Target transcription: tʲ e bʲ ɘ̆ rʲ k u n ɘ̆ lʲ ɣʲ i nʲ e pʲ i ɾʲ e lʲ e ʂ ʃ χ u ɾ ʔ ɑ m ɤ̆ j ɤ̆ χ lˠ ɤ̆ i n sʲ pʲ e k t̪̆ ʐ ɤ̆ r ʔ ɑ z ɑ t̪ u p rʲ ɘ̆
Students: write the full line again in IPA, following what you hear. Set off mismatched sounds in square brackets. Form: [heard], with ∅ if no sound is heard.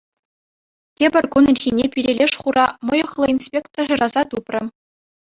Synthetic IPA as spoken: tʲ e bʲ ɘ̆ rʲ k u n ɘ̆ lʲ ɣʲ i nʲ e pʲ i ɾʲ e lʲ e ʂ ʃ χ u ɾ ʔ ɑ m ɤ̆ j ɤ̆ χ lˠ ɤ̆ i n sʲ pʲ e k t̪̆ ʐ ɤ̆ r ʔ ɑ z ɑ t̪ u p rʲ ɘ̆